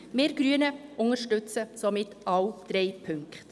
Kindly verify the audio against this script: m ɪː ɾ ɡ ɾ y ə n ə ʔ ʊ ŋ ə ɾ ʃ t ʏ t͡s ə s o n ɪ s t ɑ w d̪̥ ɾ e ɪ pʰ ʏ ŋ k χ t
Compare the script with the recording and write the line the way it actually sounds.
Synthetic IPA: m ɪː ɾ ɡ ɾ y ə n ə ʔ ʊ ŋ ə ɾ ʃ t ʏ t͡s ə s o m ɪ t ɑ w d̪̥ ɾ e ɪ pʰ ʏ ŋ k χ t